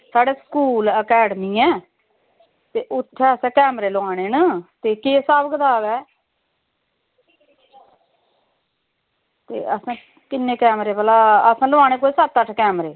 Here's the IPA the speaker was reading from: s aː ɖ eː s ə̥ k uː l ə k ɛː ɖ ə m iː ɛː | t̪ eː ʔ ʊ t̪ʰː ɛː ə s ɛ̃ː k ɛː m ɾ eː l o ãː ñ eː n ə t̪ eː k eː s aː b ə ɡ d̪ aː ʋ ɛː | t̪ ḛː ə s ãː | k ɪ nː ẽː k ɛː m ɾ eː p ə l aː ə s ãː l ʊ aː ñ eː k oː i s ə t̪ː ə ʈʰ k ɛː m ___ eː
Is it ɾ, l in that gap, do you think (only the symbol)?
ɾ